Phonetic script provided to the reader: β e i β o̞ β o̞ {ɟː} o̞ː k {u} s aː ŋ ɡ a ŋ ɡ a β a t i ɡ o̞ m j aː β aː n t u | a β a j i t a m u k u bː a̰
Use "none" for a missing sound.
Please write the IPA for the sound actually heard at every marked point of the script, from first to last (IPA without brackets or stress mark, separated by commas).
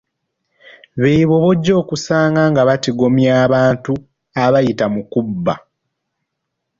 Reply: ɟː, u